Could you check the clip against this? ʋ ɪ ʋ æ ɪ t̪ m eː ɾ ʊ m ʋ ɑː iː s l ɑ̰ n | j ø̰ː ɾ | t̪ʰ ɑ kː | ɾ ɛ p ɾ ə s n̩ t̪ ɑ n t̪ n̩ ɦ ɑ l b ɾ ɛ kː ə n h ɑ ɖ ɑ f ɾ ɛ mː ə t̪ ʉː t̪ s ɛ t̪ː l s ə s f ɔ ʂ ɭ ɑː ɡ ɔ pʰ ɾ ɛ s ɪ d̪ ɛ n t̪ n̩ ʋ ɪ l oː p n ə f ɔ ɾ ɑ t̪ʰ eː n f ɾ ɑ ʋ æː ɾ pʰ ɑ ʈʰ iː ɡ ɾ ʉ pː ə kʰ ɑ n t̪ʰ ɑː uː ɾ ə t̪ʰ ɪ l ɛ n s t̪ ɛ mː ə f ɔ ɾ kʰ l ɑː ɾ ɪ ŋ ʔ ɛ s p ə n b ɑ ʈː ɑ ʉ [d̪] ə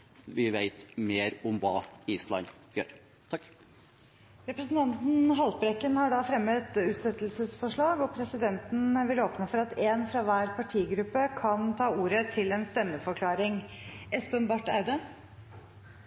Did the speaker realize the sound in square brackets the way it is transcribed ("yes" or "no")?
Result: yes